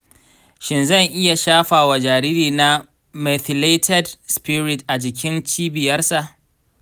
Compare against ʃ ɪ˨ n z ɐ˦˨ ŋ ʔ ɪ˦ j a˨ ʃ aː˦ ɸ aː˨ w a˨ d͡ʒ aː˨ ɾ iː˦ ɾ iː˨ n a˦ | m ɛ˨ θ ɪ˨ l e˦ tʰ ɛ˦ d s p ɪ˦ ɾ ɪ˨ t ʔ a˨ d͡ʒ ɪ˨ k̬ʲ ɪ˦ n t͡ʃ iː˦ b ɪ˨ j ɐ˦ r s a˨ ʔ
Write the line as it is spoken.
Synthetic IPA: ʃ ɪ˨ n z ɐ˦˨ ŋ ʔ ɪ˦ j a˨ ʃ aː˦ ɸ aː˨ w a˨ d͡ʒ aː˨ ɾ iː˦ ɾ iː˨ n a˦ | m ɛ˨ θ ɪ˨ l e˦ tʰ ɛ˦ d s p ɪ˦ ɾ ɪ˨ t ʔ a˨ d͡ʒ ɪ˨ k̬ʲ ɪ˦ n t͡ʃ iː˦ b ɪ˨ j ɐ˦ r s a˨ ʔ

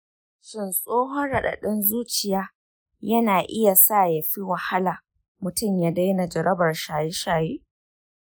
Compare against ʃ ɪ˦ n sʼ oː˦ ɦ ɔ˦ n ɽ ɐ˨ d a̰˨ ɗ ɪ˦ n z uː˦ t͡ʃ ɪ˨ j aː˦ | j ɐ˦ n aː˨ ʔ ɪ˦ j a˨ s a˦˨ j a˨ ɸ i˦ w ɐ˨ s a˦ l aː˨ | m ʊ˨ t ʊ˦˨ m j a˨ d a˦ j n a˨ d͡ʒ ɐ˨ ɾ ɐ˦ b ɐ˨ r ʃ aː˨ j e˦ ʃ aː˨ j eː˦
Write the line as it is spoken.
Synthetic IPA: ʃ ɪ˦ n sʼ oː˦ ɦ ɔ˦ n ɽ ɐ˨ ɗ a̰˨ ɗ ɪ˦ n z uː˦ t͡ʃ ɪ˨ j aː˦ | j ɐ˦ n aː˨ ʔ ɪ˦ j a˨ s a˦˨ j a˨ ɸ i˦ w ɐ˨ h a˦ l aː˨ | m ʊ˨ t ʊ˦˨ m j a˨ d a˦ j n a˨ d͡ʒ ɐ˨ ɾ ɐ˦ b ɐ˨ r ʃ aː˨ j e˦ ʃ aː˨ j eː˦

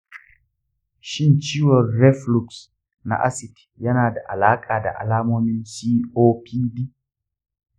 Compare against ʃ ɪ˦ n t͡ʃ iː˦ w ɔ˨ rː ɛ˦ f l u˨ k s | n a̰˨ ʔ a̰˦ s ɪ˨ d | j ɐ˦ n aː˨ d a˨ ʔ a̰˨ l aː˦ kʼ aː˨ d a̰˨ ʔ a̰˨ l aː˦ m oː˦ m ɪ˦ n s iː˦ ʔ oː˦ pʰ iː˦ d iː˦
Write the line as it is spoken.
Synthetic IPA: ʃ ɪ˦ n t͡ʃ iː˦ w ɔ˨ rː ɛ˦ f l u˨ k s | n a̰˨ ʔ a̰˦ s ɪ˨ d | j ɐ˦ n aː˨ d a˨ ʔ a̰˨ l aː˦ kʼ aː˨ d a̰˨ ʔ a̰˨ l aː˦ m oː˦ m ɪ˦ n s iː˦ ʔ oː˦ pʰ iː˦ d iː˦

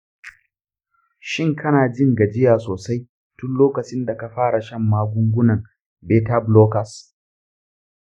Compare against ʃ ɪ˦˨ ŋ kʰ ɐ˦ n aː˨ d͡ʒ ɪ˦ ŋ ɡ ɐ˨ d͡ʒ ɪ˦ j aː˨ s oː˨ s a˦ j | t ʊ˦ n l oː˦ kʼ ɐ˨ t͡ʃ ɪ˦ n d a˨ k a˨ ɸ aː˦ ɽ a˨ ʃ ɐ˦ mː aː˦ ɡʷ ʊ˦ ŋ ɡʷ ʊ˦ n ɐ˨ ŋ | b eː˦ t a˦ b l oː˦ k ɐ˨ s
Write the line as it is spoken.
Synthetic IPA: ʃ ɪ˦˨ ŋ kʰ ɐ˦ n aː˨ d͡ʒ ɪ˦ ŋ ɡ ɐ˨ d͡ʒ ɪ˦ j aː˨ s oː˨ s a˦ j | t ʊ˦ n l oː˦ k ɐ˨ t͡ʃ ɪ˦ n d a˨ k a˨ ɸ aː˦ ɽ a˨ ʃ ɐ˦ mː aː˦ ɡʷ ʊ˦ ŋ ɡʷ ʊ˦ n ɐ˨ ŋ | b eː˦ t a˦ b l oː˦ k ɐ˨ s

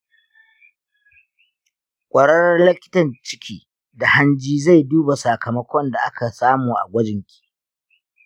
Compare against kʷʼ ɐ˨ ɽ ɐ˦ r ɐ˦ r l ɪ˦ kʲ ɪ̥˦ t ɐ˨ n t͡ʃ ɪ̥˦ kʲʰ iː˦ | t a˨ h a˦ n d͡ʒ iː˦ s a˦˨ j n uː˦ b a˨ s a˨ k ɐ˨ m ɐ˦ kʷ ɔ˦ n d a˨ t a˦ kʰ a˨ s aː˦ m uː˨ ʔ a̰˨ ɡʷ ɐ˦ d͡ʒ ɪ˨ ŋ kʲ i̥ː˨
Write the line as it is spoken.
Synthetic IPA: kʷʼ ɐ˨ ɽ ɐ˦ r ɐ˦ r l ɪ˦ kʲ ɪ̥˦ t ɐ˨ n t͡ʃ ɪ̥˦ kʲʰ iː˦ | d a˨ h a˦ n d͡ʒ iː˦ z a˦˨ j d uː˦ b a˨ s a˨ k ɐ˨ m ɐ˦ kʷ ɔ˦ n d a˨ ʔ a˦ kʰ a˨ s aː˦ m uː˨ ʔ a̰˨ ɡʷ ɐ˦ d͡ʒ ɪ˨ ŋ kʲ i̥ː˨

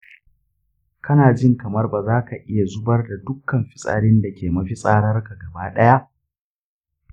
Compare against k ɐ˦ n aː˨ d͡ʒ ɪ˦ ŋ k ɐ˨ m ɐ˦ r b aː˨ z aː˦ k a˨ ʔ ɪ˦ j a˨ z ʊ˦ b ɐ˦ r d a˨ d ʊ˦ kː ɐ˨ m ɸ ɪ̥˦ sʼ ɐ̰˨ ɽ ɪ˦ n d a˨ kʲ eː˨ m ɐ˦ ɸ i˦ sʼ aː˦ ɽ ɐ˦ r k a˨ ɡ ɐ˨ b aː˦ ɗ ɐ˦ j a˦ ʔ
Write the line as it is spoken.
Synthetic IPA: k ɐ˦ n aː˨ d͡ʒ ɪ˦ ŋ k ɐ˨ m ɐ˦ r b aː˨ z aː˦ k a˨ ʔ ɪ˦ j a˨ z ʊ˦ b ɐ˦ r d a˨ d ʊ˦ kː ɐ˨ m ɸ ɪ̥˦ sʼ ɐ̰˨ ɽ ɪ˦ n d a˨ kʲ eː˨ m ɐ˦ ɸ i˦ sʼ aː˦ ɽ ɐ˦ r k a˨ ɡ ɐ˨ b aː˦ ɗ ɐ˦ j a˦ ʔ

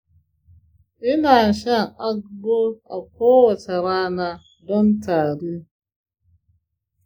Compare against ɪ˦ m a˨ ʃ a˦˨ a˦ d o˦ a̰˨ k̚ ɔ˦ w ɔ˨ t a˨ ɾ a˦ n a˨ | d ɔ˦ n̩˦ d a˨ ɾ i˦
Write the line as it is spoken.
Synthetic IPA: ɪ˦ n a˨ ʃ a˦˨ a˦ ɡ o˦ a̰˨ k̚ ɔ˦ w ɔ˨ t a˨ ɾ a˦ n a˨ | d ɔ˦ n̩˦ t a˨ ɾ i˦

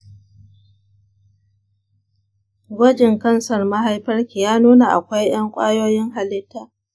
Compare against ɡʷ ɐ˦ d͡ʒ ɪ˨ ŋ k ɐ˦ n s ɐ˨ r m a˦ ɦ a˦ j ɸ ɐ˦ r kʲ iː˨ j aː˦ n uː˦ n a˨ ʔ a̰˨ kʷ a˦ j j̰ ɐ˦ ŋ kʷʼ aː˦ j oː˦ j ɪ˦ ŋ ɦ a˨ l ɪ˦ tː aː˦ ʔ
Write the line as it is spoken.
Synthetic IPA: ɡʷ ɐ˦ d͡ʒ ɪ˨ ŋ k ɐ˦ n s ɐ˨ r m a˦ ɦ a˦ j ɸ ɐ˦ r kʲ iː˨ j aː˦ n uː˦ n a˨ ʔ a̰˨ kʷ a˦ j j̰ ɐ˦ ŋ kʷʼ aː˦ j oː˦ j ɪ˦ ŋ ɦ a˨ l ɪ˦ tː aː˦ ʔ

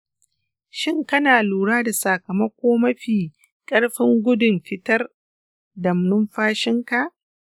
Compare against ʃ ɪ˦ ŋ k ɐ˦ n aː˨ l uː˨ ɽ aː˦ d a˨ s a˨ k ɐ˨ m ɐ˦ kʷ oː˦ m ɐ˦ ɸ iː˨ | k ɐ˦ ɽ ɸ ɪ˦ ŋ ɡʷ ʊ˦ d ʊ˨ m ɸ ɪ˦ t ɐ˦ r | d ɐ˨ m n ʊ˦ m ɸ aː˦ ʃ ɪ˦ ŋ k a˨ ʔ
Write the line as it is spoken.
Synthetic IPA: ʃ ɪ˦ ŋ k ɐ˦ n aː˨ l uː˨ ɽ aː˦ d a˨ s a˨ k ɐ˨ m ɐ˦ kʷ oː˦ m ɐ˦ ɸ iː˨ | kʼ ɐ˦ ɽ ɸ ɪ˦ ŋ ɡʷ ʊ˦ d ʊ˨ m ɸ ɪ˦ t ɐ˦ r | d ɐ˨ m n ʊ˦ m ɸ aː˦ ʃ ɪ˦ ŋ k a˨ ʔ

